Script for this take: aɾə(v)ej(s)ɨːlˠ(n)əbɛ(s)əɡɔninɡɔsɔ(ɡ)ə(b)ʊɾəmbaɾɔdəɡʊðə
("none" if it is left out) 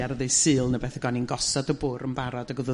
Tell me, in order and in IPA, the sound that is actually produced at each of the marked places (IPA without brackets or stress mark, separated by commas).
ð, s, n, θ, d, b